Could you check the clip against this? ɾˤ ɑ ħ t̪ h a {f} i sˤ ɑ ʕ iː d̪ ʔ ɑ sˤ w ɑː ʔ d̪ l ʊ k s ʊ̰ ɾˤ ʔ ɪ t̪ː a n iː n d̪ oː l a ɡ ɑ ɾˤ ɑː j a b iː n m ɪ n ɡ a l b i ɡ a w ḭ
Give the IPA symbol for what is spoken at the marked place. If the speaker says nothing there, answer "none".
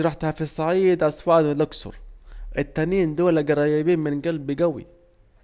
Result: f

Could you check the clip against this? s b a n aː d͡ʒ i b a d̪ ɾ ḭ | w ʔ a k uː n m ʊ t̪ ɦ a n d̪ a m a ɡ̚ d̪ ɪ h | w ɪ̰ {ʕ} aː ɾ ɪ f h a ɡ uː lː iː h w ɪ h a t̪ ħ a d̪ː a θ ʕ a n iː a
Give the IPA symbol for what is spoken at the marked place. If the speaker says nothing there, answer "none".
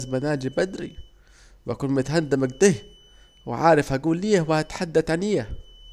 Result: ʕ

